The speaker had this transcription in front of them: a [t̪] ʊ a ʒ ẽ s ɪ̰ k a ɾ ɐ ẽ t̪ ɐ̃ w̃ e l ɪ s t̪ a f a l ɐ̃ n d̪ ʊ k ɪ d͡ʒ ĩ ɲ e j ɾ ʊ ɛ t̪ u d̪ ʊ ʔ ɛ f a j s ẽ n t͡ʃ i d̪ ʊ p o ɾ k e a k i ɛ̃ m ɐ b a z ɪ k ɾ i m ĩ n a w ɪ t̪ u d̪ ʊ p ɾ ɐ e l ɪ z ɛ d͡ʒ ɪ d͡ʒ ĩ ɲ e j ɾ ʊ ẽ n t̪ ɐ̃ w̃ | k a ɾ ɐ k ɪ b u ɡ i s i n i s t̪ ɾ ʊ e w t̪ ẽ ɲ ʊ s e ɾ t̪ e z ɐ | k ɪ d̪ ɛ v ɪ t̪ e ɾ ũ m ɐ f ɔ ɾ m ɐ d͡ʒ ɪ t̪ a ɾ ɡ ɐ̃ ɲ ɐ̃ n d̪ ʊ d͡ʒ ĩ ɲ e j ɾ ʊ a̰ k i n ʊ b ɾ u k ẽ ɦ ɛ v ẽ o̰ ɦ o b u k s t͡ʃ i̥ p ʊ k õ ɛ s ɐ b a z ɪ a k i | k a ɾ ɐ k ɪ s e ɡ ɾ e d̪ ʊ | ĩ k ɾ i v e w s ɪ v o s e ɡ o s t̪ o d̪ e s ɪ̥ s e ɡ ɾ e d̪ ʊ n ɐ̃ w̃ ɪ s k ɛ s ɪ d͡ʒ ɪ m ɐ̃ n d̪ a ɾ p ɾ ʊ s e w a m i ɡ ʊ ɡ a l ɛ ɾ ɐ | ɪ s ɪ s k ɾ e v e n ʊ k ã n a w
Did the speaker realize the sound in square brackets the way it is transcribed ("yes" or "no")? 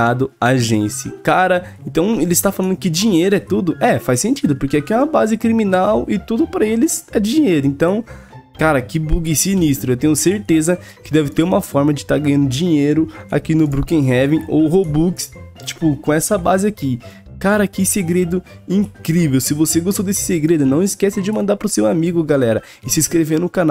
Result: no